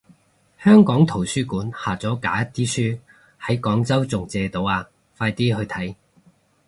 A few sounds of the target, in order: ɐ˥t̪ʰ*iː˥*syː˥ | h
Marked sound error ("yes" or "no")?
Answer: no